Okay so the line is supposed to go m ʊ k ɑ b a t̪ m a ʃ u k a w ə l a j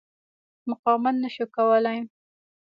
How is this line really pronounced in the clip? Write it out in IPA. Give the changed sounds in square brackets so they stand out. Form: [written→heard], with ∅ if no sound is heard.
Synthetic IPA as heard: m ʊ [k→q] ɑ [b→m] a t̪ [m→n] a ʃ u k a w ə l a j